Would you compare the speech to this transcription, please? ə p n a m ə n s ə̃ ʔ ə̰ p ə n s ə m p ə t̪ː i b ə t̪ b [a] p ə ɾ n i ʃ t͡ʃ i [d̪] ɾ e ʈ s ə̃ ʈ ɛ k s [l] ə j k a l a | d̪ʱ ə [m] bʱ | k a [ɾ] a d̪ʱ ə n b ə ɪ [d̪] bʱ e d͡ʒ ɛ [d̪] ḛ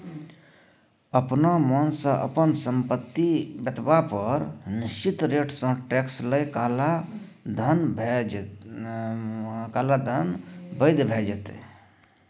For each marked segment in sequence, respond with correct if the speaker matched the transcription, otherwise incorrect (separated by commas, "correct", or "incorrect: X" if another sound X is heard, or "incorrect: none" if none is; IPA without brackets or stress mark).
correct, incorrect: t̪, correct, incorrect: n, incorrect: l, correct, incorrect: t̪